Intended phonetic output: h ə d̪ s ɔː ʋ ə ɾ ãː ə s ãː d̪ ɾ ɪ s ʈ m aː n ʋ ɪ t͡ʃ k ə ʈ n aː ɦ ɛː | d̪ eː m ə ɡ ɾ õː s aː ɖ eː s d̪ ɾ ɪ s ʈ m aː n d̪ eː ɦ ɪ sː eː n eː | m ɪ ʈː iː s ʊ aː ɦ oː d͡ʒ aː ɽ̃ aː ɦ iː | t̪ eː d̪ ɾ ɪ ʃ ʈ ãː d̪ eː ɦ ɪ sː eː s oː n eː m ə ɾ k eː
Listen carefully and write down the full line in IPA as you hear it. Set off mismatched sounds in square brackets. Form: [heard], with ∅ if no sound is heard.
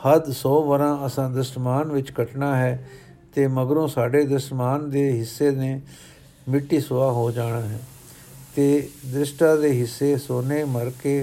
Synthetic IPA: h ə d̪ s ɔː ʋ ə ɾ ãː ə s ãː d̪ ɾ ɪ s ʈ m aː n ʋ ɪ t͡ʃ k ə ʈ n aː ɦ ɛː | [t̪] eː m ə ɡ ɾ õː s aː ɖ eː [∅] d̪ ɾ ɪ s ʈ m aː n d̪ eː ɦ ɪ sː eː n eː | m ɪ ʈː iː s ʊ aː ɦ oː d͡ʒ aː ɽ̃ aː ɦ [ɛː] | t̪ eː d̪ ɾ ɪ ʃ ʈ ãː d̪ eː ɦ ɪ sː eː s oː n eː m ə ɾ k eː